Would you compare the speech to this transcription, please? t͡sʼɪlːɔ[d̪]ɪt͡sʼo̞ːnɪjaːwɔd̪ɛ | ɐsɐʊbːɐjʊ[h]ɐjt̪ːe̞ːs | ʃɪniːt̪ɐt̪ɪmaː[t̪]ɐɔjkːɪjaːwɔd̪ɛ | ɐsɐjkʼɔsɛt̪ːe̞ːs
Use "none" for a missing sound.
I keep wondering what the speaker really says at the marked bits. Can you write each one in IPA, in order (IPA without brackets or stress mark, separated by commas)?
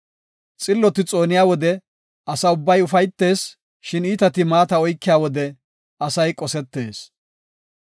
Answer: t̪, f, t̪